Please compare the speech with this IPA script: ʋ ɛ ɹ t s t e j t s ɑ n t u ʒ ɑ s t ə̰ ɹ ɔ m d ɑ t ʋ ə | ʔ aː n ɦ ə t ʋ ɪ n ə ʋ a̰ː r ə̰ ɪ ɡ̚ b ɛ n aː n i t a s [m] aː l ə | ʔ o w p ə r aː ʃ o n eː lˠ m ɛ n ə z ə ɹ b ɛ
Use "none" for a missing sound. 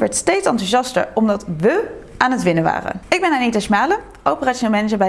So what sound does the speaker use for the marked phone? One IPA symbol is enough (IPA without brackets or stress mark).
m